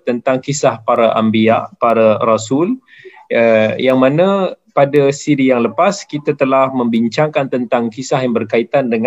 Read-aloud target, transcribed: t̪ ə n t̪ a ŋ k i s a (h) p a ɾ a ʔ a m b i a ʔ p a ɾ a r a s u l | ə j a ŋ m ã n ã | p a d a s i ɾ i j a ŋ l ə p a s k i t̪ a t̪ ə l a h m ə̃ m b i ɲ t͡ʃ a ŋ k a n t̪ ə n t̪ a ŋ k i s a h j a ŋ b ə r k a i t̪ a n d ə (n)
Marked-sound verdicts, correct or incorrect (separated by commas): correct, incorrect